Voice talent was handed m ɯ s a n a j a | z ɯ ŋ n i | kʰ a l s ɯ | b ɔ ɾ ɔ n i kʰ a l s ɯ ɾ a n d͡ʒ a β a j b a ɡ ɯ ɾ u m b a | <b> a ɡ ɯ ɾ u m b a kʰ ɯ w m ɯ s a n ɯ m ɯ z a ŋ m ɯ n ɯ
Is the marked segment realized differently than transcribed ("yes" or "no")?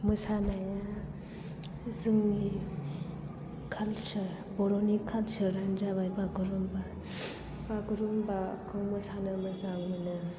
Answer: no